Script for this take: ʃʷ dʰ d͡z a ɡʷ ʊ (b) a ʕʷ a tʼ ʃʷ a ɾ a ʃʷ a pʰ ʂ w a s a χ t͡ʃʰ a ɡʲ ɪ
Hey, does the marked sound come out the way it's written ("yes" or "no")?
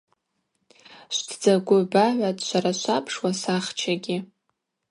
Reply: yes